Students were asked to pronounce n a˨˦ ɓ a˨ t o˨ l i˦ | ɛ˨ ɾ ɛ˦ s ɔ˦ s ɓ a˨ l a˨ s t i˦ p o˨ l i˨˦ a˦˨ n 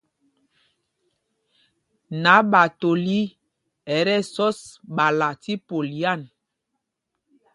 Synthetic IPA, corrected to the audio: n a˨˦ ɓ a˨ t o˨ l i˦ | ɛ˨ ɾ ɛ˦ s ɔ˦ s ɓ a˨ l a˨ t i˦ p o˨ l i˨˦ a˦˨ n

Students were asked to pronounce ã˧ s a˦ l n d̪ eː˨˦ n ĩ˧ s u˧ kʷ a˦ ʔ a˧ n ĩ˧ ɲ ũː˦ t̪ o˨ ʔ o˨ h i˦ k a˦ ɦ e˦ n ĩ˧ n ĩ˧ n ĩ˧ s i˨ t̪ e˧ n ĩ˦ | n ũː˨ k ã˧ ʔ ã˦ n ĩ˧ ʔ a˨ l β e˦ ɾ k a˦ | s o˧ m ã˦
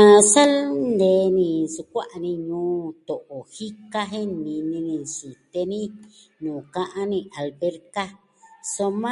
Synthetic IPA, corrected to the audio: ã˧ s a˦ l n d̪ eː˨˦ n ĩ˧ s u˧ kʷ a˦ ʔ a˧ n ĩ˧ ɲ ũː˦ t̪ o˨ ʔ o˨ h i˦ k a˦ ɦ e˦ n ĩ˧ n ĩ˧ n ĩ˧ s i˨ t̪ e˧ n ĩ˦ | n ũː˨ k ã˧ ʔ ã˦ n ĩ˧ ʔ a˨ l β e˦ ɾ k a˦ | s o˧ m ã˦

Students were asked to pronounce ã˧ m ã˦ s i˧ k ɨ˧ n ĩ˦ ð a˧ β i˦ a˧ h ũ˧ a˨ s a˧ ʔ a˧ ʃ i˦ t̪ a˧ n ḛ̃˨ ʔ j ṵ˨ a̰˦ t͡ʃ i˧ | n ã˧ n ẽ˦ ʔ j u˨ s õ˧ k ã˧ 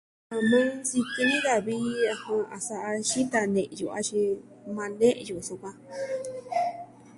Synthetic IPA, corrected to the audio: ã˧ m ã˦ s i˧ k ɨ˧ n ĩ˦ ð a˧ β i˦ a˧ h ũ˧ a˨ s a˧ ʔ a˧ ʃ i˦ t̪ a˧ n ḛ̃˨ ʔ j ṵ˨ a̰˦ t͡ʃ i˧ | m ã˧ n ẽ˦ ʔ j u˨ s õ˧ k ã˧

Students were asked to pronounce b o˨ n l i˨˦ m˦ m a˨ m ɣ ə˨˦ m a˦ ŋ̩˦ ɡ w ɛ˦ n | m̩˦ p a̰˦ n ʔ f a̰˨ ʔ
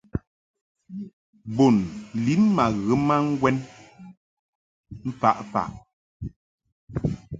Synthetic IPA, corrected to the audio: b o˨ n l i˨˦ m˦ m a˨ ɣ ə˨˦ m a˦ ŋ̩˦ ɡ w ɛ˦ n | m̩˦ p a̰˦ ʔ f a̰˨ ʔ

